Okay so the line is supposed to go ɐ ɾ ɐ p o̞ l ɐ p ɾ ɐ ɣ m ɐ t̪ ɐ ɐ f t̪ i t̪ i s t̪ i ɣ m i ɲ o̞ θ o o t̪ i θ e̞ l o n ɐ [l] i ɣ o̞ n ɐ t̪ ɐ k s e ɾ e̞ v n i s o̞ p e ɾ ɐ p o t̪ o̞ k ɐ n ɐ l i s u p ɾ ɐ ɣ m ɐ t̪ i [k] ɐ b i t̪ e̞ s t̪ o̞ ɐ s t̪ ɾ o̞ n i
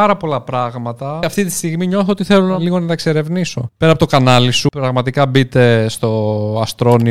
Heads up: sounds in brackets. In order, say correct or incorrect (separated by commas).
correct, correct